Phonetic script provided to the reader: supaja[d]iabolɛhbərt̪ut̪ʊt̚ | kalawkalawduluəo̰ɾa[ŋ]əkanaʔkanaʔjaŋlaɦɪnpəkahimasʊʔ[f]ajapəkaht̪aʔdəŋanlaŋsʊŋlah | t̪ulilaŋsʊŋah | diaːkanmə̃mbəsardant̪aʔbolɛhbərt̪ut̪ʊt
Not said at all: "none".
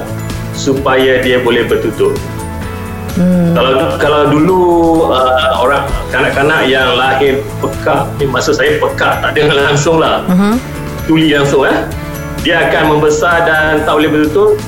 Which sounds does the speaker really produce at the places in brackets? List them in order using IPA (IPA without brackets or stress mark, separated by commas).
d, ŋ, s